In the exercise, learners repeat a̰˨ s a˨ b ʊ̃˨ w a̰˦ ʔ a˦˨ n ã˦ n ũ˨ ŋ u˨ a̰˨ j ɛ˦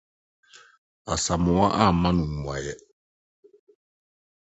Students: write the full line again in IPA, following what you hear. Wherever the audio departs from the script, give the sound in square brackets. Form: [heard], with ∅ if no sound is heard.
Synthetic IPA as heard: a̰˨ s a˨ [m] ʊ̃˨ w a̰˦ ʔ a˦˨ [m] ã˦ n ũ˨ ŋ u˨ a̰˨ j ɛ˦

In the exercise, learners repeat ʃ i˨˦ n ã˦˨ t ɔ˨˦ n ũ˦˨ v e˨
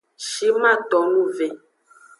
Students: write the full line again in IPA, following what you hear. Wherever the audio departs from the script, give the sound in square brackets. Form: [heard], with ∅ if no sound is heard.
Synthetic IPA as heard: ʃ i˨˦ [m] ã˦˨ t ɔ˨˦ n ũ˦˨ v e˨

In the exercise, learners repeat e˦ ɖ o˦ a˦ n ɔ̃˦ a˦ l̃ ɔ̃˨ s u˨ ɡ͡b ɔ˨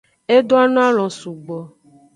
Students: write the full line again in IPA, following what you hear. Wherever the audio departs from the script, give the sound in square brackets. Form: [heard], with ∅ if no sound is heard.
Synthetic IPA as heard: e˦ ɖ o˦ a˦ n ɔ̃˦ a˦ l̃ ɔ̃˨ s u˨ ɡ͡b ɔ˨

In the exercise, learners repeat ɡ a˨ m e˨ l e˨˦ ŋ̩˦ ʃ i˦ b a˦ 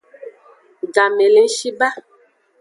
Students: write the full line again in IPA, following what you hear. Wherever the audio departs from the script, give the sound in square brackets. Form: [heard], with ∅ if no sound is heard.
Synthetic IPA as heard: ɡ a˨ m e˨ l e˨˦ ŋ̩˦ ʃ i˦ b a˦

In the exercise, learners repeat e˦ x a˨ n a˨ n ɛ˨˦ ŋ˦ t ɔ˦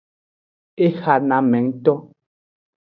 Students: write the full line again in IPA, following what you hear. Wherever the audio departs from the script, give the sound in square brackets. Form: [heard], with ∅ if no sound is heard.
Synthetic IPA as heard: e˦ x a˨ n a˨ [m] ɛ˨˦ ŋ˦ t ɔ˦

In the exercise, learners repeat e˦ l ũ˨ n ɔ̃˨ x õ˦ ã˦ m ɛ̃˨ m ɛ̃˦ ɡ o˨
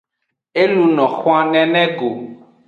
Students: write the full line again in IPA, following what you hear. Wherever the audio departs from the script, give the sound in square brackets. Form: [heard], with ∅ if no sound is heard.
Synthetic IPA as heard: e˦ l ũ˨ n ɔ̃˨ x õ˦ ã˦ [n] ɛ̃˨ [n] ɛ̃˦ ɡ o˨

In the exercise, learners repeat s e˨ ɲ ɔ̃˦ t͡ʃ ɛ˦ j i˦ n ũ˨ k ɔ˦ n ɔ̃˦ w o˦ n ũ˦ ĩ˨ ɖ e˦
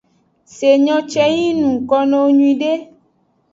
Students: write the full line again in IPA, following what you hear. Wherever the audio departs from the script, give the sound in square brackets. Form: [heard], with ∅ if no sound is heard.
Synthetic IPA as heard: s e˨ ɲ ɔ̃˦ t͡ʃ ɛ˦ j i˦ n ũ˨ k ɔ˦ n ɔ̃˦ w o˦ [ɲ] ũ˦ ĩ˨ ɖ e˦

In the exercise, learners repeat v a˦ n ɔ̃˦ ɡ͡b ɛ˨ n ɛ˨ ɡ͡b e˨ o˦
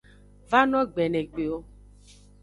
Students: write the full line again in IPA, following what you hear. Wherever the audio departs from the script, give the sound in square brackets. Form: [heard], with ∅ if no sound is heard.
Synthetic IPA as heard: v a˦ n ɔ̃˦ ɡ͡b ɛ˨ n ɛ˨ ɡ͡b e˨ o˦

